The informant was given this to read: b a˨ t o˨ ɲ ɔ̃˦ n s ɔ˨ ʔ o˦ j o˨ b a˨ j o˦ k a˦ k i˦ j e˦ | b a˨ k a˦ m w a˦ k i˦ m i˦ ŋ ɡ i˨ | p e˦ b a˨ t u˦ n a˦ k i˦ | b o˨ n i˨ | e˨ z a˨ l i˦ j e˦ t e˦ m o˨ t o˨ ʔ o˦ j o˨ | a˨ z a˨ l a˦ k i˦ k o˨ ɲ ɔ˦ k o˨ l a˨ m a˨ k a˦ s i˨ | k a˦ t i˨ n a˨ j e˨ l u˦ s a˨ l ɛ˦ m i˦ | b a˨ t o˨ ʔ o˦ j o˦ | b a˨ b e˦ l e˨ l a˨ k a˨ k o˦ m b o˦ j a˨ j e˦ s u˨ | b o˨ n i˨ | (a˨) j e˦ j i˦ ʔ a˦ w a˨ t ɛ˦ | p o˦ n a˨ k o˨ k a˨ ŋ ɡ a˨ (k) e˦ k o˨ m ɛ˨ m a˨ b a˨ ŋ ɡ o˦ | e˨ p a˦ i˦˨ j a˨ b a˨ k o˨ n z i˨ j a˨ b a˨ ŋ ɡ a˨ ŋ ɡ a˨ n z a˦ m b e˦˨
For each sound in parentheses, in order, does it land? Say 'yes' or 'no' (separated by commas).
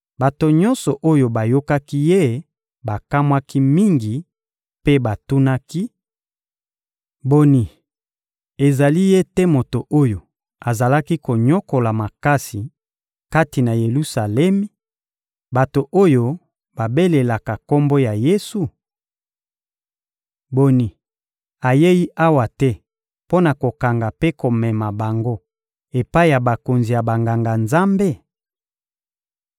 yes, no